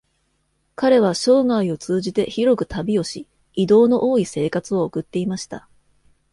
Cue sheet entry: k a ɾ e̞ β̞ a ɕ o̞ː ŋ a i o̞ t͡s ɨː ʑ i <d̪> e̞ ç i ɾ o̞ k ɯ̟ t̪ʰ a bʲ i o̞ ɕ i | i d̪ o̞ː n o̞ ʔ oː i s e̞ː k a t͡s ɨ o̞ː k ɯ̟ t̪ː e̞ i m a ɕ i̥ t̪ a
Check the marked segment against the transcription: incorrect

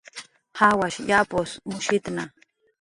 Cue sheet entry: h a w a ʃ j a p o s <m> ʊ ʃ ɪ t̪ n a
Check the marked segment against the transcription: correct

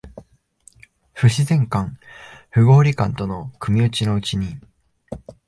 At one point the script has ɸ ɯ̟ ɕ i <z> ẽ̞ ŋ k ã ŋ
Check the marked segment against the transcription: correct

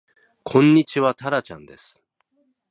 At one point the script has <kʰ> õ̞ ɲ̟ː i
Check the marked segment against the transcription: correct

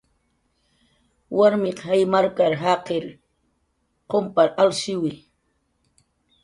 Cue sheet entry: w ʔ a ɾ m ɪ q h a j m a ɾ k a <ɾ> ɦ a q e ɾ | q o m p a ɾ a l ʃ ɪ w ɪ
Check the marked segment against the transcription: correct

